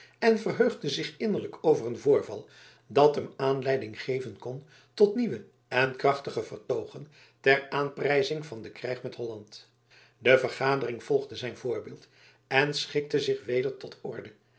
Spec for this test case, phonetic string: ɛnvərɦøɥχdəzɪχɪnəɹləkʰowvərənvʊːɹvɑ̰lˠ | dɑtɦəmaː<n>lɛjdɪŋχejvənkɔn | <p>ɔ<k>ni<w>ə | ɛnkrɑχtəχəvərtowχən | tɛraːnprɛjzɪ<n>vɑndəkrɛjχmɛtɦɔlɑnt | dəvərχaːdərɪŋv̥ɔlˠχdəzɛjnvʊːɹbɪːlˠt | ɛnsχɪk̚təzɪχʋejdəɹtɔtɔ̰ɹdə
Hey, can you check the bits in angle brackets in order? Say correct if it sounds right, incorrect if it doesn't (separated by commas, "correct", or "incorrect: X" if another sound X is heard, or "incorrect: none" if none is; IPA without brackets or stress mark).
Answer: correct, incorrect: t, incorrect: t, incorrect: ʋ, incorrect: ŋ